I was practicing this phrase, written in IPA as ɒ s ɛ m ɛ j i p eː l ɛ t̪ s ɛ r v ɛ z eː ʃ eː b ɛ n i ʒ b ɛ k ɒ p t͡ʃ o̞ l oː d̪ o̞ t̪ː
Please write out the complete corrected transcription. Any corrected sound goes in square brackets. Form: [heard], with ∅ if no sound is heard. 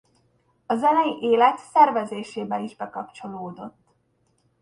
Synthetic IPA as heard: ɒ [z] ɛ [n] ɛ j i [ʔ] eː l ɛ t̪ s ɛ r v ɛ z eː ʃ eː b ɛ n i ʒ b ɛ k ɒ p t͡ʃ o̞ l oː d̪ o̞ t̪ː